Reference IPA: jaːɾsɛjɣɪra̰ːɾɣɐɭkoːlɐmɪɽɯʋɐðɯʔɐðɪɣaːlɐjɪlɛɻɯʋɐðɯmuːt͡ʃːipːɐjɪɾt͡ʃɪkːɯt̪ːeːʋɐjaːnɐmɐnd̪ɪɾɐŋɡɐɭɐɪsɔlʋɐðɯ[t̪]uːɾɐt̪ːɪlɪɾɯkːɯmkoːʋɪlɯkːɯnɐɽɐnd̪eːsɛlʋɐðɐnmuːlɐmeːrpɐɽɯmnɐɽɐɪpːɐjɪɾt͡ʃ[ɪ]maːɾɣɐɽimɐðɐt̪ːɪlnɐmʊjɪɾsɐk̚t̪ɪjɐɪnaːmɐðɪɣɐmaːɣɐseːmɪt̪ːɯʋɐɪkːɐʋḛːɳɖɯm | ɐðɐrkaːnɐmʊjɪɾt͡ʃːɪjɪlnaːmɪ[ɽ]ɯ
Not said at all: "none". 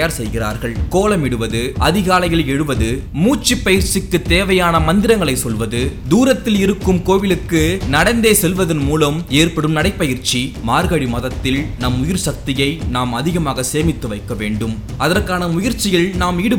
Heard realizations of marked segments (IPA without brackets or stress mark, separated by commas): d̪, i, ɽ